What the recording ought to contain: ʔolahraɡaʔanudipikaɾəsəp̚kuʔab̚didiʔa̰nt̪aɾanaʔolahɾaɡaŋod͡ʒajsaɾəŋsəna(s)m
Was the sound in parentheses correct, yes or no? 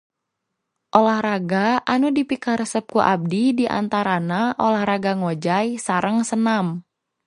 no